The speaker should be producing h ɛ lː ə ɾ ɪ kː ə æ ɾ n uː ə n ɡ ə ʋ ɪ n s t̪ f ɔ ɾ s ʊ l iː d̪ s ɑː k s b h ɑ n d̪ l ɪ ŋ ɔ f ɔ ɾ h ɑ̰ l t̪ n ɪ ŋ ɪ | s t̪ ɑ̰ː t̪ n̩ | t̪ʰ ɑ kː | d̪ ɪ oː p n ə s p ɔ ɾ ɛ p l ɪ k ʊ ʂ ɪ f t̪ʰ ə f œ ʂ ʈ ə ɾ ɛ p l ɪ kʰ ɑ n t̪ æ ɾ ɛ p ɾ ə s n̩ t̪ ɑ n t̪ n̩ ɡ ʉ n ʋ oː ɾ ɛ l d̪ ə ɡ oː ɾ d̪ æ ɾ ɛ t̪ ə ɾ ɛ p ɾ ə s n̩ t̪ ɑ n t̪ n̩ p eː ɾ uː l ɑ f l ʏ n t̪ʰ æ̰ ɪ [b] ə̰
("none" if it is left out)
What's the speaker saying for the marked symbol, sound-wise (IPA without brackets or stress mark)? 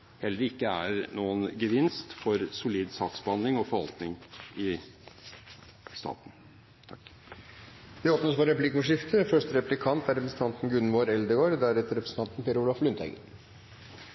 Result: ɡ